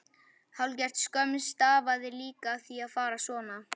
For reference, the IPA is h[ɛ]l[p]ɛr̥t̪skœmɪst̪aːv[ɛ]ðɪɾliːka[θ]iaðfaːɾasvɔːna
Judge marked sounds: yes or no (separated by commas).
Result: no, no, no, yes